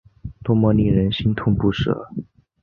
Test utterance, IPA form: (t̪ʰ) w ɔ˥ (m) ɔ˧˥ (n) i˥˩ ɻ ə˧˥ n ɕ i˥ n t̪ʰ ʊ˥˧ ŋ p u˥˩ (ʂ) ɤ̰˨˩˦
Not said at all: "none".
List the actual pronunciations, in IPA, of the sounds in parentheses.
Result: t̪, m, n, ʂ

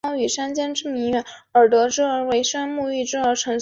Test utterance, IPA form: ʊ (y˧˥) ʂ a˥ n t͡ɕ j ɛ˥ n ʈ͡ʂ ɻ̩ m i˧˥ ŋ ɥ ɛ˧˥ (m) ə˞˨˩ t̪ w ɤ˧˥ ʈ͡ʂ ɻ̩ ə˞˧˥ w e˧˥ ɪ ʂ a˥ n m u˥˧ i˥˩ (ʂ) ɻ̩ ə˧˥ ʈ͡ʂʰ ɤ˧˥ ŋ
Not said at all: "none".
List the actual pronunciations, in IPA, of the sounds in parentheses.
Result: y˨˩, n, ʈ͡ʂ

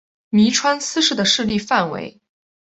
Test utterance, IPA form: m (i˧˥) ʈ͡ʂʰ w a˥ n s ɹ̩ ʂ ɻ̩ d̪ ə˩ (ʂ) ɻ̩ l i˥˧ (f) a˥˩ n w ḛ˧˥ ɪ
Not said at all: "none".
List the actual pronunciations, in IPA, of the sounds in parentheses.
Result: i˧˥, ʂ, f

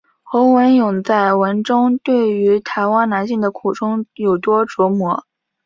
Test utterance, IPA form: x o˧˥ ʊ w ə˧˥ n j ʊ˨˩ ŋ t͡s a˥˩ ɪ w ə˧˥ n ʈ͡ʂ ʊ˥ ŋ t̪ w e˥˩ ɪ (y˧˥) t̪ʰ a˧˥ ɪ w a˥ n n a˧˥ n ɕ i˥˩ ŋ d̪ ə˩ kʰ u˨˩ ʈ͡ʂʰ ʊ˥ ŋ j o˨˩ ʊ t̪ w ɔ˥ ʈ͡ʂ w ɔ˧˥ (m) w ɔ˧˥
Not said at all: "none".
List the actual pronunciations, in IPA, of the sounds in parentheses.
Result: y˧˥, m

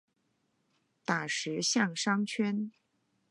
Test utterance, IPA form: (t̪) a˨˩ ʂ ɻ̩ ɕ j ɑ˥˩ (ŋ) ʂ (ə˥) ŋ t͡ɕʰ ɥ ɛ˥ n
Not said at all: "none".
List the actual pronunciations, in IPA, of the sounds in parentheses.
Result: t̪, ŋ, ɑ˥

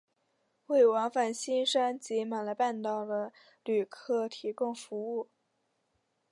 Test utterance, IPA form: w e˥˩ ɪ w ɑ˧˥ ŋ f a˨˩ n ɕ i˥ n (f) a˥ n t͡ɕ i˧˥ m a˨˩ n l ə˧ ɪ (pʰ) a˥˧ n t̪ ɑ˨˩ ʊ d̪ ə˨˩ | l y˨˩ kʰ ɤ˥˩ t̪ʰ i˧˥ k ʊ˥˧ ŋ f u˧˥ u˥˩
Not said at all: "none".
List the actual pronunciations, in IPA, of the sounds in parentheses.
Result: ʂ, p

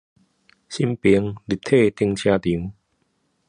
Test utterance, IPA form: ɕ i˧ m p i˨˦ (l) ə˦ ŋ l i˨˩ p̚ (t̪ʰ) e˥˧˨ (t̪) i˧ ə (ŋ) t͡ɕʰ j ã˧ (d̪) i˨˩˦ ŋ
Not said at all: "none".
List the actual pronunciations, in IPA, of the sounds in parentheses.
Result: none, t̪ʰ, t̪, ŋ, t̪

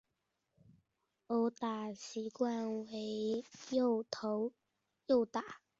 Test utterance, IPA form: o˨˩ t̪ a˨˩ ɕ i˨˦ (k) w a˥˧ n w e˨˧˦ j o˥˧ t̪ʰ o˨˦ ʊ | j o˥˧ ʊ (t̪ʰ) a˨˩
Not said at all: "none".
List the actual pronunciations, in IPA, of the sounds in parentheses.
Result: k, t̪

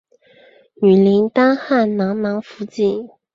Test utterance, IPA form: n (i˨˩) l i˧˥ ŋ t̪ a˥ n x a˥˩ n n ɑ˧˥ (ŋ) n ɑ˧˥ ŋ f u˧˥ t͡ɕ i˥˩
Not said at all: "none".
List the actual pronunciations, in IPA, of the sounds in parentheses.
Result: y˨˩, ŋ

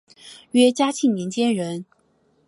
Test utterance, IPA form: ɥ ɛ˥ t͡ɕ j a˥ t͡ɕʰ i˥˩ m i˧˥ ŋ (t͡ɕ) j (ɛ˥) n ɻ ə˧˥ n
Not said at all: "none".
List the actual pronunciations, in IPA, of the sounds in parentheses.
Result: t͡ɕ, ɛ˥

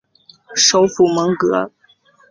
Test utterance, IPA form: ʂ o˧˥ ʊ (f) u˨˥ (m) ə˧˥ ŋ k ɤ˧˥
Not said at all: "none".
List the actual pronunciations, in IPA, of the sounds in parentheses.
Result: f, m

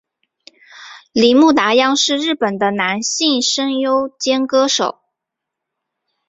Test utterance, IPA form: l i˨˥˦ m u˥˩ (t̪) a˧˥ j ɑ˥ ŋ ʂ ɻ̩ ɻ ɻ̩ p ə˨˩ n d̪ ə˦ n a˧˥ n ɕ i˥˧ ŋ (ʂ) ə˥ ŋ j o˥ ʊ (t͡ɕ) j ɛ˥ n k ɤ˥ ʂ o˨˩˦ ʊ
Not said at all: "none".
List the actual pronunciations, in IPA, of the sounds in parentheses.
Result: t̪, ʂ, t͡ɕ

